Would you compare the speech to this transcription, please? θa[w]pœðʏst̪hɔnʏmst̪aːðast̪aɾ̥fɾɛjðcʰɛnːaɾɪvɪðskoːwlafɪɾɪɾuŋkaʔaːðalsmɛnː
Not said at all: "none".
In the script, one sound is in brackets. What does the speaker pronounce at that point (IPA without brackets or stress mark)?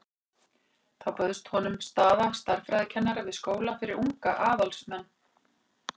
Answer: w